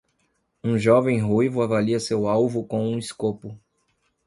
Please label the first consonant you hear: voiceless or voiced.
voiced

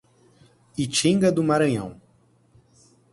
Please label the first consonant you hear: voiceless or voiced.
voiceless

